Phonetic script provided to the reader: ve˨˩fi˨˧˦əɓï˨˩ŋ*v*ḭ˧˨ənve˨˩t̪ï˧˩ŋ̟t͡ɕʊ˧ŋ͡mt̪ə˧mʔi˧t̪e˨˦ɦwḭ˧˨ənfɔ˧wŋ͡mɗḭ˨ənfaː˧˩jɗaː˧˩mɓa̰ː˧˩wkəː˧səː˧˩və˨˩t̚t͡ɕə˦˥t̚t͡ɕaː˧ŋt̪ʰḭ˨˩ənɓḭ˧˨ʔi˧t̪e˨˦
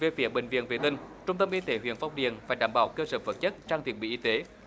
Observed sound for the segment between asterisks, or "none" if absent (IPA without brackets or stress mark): v